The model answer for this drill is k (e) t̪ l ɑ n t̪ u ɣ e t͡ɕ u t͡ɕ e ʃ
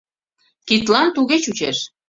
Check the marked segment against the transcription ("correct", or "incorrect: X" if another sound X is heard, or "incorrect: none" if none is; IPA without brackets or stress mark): incorrect: i